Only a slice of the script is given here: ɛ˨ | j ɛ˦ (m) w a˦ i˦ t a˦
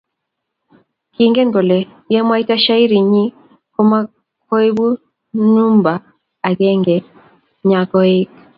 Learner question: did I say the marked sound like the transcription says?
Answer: yes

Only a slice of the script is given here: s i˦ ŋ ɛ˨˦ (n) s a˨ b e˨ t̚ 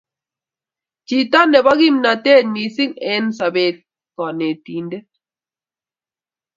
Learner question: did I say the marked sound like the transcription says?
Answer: yes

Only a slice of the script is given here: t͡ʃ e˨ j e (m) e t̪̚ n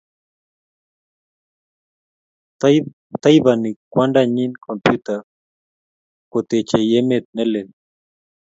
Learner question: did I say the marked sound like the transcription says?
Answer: yes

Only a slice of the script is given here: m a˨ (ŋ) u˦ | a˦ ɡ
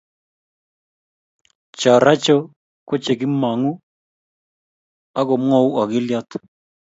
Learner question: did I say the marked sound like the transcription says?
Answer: yes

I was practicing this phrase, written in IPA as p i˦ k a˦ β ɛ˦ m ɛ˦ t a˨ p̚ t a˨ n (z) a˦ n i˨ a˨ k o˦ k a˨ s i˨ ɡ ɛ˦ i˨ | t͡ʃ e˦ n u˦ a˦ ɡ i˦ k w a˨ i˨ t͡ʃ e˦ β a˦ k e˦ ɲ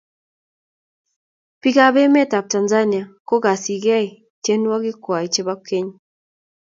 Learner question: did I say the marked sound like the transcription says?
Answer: yes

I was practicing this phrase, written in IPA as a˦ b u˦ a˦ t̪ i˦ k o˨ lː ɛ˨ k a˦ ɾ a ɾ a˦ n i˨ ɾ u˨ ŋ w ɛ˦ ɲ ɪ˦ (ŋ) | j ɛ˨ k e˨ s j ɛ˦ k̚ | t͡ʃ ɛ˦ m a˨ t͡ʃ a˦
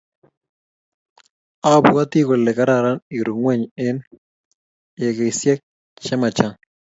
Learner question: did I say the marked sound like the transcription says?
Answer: no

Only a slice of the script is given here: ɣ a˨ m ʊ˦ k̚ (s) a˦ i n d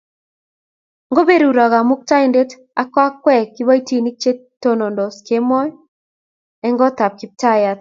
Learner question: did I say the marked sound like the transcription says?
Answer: no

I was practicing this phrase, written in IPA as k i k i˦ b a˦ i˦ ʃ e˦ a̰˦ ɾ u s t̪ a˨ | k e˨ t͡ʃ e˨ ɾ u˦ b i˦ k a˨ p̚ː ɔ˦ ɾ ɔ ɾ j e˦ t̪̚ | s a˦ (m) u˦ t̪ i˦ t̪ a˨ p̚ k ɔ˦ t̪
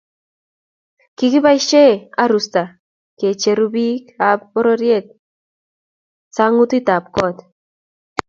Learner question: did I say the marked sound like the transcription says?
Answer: no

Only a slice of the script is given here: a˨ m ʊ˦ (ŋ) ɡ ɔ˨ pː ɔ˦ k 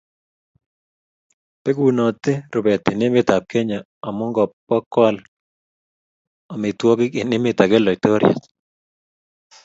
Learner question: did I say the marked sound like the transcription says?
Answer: yes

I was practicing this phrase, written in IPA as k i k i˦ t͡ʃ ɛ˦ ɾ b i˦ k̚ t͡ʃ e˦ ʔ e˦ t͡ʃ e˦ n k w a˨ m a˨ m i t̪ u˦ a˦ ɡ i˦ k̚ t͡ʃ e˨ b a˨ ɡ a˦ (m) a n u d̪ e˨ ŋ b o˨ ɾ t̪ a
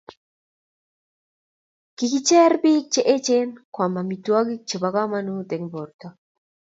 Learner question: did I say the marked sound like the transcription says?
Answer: yes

